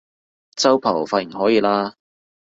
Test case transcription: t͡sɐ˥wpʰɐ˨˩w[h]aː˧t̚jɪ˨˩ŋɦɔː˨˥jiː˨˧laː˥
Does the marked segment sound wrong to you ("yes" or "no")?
yes